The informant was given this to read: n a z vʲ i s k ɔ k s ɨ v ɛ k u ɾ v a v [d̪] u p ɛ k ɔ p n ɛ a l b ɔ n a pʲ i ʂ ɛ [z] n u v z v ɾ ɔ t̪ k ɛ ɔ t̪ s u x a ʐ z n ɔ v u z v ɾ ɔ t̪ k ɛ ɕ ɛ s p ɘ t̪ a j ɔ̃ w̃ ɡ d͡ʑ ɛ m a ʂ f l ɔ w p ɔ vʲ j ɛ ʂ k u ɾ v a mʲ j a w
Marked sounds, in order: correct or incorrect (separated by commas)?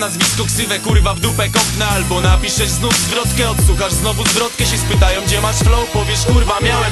correct, correct